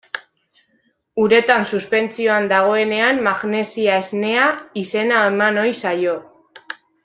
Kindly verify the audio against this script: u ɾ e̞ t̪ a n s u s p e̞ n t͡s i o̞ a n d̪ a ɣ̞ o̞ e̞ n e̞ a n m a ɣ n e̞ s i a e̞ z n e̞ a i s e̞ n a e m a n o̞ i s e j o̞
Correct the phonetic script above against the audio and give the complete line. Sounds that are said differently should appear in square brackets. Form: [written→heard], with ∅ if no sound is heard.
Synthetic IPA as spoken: u ɾ e̞ t̪ a n s u s p e̞ n t͡s i o̞ a n d̪ a ɣ̞ o̞ e̞ n e̞ a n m a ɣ n e̞ s i a e̞ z n e̞ a i s e̞ n a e m a n o̞ [i→j] s [e→a] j o̞